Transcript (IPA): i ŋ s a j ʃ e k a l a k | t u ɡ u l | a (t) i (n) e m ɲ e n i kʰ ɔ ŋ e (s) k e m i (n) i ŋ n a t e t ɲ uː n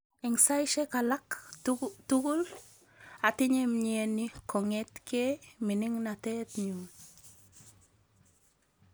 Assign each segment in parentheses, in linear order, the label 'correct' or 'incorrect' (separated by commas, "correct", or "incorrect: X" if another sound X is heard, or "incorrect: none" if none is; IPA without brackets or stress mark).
correct, incorrect: ɲ, incorrect: t, correct